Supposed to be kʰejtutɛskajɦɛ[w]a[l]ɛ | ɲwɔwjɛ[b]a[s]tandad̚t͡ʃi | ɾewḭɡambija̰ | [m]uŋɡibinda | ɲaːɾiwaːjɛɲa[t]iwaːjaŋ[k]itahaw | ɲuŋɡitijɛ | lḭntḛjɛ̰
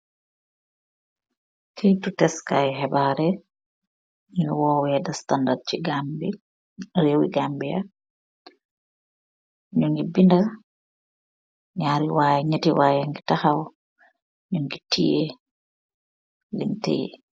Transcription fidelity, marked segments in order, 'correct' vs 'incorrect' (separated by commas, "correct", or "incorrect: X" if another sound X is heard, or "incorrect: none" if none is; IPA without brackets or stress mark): incorrect: b, incorrect: ɾ, incorrect: d, correct, incorrect: ɲ, correct, incorrect: ɡ